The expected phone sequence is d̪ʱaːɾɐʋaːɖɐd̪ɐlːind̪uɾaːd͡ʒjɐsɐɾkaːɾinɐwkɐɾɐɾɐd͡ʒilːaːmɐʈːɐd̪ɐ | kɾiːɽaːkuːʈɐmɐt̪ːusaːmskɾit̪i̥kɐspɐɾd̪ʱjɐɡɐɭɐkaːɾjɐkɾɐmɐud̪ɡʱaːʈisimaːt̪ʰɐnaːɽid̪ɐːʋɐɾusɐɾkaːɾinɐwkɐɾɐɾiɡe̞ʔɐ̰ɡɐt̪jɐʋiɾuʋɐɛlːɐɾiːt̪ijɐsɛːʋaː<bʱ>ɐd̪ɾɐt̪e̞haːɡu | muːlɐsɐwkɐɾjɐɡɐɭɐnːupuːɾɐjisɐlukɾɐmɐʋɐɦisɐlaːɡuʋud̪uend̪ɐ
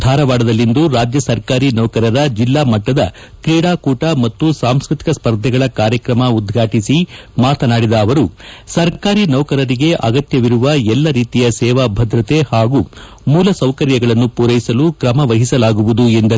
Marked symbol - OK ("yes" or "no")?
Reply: yes